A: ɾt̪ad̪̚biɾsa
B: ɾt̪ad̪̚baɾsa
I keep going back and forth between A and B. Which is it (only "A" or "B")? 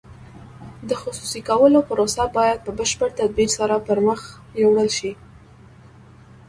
A